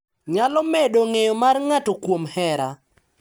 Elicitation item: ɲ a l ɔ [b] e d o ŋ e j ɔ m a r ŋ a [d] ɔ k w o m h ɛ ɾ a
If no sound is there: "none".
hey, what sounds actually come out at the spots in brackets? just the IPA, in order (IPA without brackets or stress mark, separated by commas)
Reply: m, t